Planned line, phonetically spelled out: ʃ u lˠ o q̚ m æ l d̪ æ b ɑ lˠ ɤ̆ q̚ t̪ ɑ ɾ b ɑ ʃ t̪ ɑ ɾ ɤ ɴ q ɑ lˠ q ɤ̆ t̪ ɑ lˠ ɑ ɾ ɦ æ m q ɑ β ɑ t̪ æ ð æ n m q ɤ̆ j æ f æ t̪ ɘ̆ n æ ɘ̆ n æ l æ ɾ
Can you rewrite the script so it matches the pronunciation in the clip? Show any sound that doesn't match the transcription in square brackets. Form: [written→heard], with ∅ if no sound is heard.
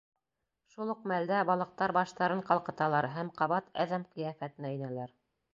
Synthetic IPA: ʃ u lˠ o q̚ m æ l d̪ æ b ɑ lˠ ɤ̆ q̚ t̪ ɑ ɾ b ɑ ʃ t̪ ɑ ɾ ɤ ɴ q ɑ lˠ q ɤ̆ t̪ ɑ lˠ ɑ ɾ ɦ æ m q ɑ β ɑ t̪ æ ð æ [n→∅] m q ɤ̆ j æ f æ t̪ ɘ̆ n æ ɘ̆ n æ l æ ɾ